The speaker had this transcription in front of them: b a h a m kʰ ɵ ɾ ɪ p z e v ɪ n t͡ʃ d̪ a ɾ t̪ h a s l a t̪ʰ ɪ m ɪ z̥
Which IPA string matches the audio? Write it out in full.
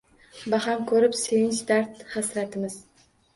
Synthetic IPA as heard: b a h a m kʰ ɵ ɾ ɪ p s e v ɪ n t͡ʃ d̪ a ɾ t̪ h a s ɾ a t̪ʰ ɪ m ɪ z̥